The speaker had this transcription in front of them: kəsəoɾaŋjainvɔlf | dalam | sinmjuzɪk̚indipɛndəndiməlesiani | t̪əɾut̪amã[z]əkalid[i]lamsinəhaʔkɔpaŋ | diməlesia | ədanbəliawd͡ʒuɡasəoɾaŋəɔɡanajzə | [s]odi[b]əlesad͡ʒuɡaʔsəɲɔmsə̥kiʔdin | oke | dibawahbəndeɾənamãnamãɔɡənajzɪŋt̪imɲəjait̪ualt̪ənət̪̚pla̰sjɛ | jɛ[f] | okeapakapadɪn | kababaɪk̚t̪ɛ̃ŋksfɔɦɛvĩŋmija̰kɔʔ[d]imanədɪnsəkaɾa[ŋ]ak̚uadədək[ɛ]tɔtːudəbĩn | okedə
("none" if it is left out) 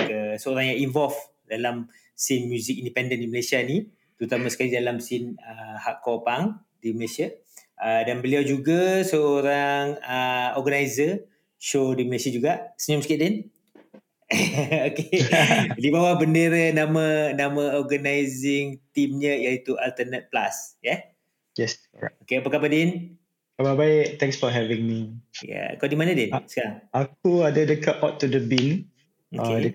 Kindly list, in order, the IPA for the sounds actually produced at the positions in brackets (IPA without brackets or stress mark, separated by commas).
s, a, ʃ, m, s, d, ŋ, a